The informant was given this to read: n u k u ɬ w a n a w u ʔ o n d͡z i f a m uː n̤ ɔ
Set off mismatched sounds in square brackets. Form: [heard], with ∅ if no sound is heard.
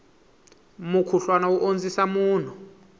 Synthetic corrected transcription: [m] u [kʰ] u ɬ w a n a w u ʔ o n d͡z i [s] a m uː n̤ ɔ